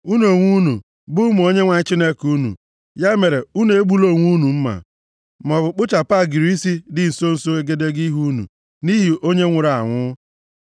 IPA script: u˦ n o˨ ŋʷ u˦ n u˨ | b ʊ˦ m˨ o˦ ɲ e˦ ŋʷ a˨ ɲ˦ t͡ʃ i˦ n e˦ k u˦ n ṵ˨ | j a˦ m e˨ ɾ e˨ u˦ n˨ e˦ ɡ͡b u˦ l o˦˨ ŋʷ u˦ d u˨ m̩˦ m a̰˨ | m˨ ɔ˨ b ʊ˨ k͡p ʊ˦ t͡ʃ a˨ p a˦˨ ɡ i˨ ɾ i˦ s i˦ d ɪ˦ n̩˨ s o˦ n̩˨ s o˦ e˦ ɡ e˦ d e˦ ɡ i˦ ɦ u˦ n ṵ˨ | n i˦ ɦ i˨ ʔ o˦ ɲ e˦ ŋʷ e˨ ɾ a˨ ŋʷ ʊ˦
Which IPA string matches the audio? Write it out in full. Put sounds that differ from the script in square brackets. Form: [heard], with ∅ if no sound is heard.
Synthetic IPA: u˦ n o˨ ŋʷ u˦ n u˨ | b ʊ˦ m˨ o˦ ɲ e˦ ŋʷ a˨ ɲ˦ t͡ʃ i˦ n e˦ k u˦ n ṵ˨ | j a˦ m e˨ ɾ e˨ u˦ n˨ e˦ ɡ͡b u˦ l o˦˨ ŋʷ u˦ [n] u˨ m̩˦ m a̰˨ | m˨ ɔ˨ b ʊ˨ k͡p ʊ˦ t͡ʃ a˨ p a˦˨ ɡ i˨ ɾ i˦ s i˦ d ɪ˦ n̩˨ s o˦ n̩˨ s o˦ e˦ ɡ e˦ d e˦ ɡ i˦ ɦ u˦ n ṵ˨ | n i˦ ɦ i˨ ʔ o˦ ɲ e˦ ŋʷ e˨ ɾ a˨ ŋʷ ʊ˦

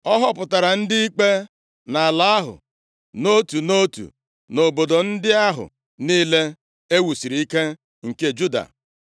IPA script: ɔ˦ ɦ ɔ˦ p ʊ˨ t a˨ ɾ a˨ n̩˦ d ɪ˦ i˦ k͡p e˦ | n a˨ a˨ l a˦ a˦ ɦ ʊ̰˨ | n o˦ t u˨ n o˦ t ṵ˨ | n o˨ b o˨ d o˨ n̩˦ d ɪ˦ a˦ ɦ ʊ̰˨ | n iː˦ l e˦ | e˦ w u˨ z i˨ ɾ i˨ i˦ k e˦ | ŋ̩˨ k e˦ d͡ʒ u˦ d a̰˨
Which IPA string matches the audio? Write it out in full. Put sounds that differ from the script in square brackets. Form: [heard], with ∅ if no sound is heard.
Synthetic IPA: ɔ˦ ɦ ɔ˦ p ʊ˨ t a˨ ɾ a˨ n̩˦ d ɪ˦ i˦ k͡p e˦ | n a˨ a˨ l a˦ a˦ ɦ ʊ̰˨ | n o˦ t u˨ n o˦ t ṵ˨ | n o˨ b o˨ d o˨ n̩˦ d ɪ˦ a˦ ɦ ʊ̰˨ | n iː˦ l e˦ | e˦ w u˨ [s] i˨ ɾ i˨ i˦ k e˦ | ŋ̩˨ k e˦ d͡ʒ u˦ d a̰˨

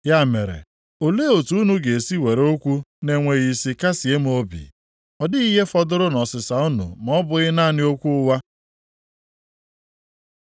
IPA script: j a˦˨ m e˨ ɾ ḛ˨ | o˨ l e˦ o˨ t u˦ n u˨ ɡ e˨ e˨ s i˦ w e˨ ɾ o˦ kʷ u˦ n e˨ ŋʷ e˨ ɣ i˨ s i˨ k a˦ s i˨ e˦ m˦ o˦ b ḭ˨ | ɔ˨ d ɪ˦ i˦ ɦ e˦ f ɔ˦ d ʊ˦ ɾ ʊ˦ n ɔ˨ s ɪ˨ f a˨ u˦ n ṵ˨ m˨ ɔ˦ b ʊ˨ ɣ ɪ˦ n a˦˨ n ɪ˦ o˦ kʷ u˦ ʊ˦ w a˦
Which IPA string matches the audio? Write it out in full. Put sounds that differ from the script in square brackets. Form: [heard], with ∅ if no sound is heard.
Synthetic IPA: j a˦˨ m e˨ ɾ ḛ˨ | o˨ l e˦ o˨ t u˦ n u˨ ɡ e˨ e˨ s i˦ w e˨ ɾ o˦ kʷ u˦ n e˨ ŋʷ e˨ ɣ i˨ s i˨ k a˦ s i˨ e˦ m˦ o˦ b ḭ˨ | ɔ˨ d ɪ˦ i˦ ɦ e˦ f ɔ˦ d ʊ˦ ɾ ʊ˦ n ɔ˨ s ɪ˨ [s] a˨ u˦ n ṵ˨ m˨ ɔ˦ b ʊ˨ ɣ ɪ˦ n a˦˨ n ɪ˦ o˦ kʷ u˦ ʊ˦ w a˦

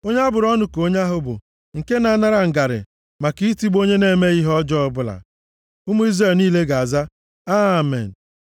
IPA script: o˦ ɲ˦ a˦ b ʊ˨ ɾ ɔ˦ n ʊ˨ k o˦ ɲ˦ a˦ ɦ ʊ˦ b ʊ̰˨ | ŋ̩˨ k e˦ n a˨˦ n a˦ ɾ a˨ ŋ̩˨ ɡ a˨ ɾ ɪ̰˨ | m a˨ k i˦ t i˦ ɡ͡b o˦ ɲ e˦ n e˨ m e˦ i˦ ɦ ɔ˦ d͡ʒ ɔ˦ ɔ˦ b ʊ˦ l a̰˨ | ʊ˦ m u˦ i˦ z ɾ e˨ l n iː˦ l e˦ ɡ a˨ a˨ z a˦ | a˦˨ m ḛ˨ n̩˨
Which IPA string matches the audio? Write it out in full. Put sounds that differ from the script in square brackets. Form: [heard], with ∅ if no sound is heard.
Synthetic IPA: o˦ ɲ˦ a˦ b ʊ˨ ɾ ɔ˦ n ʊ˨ k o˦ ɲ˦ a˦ ɦ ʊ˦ b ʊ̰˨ | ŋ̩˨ k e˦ n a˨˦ n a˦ ɾ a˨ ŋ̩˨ ɡ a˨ ɾ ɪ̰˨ | m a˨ k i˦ t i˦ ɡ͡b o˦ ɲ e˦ n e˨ m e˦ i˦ ɦ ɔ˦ d͡ʒ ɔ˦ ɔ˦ b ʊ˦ l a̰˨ | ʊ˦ m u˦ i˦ z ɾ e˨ l n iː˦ l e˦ ɡ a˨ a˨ z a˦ | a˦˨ m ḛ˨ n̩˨

